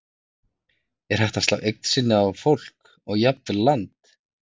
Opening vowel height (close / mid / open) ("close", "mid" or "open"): mid